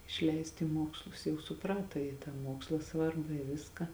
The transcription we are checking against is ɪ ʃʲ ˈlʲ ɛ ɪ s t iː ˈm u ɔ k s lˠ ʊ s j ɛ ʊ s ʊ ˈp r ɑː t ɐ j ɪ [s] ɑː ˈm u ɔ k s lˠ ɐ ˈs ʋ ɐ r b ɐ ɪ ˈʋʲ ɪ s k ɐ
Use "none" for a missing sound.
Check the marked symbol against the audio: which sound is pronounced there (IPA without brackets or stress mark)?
t